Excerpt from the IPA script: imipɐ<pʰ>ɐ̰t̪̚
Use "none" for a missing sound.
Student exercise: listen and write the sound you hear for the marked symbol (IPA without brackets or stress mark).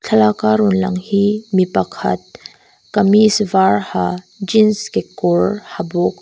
kʰ